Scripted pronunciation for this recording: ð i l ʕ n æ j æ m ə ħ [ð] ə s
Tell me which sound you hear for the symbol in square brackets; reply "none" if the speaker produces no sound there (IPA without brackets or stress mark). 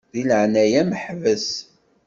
v